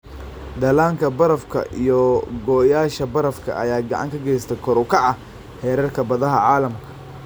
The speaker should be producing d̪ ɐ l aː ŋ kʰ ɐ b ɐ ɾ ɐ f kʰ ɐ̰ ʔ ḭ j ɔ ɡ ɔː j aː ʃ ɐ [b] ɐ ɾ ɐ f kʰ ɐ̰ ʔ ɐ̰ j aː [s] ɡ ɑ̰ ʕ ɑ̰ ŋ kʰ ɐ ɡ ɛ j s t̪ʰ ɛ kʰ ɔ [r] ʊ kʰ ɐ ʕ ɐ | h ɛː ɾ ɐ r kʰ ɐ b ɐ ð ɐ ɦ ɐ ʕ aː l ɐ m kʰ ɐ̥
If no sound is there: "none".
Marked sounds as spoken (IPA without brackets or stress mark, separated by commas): b, none, ɾ